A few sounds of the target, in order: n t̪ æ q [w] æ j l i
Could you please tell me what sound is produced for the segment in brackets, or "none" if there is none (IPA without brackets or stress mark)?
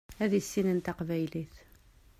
v